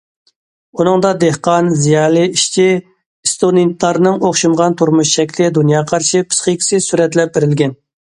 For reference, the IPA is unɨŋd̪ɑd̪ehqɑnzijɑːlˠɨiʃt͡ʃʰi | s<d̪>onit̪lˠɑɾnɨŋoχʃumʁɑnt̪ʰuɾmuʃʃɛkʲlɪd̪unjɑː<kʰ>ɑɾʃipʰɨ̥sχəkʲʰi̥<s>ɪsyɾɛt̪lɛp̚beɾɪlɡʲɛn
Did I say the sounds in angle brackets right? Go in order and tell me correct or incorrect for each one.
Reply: incorrect: t̪, incorrect: qʰ, correct

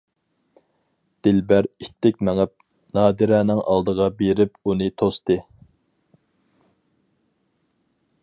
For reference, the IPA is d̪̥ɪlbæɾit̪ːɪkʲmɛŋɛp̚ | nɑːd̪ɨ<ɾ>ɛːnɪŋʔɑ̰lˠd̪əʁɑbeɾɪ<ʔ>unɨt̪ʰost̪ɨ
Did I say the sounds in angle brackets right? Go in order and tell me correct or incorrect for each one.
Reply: correct, incorrect: p

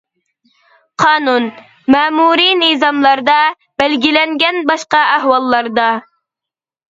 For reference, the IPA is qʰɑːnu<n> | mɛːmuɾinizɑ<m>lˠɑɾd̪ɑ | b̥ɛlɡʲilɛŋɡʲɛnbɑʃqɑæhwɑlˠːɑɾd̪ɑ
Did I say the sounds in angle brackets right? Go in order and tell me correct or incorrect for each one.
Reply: correct, correct

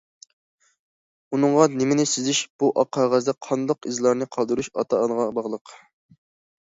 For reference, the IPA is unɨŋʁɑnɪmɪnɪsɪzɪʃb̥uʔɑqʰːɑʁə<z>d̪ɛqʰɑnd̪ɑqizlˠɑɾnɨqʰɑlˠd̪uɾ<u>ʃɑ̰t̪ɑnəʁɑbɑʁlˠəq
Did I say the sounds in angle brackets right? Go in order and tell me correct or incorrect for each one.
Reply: correct, correct

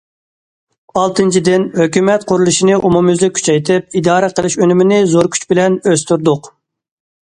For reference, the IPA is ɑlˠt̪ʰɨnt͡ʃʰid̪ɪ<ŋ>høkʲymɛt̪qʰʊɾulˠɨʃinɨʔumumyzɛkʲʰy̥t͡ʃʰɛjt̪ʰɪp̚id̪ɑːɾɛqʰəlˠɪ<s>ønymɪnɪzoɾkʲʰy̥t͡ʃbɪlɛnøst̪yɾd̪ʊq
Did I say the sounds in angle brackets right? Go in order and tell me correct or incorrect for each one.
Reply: incorrect: n, incorrect: ʃ

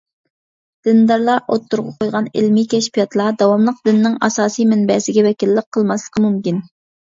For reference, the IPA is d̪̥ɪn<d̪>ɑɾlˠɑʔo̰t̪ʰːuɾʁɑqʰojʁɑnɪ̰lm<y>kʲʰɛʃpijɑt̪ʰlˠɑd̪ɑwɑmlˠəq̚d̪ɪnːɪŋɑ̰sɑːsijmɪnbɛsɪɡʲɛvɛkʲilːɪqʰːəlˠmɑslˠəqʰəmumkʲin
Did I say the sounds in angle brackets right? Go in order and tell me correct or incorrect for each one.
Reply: correct, incorrect: i

